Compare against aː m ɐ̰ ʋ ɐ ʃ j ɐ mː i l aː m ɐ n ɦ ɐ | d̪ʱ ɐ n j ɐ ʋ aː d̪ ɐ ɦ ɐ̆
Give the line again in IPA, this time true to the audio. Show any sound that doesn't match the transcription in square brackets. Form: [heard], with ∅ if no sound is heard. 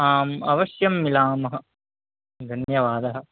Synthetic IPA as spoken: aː m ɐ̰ ʋ ɐ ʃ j ɐ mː i l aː m ɐ [∅] ɦ ɐ | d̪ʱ ɐ n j ɐ ʋ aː d̪ ɐ ɦ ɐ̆